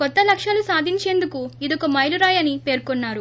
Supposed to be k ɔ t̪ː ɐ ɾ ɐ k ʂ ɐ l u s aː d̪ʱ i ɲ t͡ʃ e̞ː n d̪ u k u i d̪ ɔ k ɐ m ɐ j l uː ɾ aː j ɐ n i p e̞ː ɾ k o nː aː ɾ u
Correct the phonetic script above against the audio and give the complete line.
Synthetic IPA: k ɔ t̪ː ɐ l ɐ k ʂ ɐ l u s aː d̪ʱ i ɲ t͡ʃ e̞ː n d̪ u k u i d̪ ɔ k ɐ m ɐ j l u ɾ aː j ɐ n i p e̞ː ɾ k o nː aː ɾ u